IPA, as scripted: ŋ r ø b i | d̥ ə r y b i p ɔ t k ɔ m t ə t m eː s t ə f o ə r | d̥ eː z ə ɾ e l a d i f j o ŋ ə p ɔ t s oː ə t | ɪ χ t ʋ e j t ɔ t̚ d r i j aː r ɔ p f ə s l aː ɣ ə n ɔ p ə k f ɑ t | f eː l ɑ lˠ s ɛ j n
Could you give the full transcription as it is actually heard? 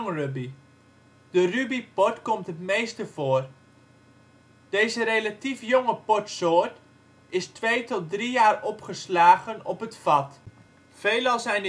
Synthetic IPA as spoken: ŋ r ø b i | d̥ ə r y b i p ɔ t k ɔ m t ə t m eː s t ə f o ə r | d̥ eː z ə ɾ e l a t i f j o ŋ ə p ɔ t s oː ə t | ɪ s t ʋ e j t ɔ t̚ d r i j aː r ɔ p χ ə s l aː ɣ ə n ɔ p ə t f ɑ t | f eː l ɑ lˠ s ɛ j n